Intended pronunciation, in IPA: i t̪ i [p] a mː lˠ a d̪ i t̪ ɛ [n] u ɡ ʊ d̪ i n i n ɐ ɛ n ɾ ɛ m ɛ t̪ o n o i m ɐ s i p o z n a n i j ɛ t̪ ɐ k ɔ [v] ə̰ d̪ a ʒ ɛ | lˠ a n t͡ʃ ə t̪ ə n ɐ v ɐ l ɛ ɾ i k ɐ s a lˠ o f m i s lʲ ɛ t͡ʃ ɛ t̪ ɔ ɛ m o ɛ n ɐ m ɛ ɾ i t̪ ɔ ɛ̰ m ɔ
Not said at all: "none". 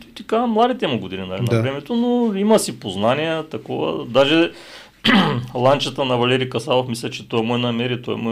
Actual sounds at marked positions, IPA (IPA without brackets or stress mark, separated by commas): k, m, v